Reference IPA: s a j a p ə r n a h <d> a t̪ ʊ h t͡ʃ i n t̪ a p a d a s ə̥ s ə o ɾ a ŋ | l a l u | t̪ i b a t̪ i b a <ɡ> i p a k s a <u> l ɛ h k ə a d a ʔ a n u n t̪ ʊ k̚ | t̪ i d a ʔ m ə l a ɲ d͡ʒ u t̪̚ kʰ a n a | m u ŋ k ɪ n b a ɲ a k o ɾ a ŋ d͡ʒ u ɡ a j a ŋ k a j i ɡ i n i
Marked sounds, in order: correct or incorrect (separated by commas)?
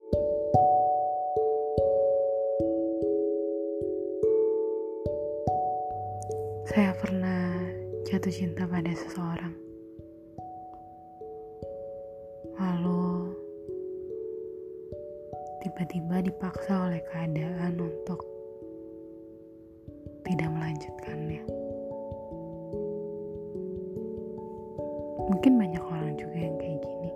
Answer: incorrect, incorrect, incorrect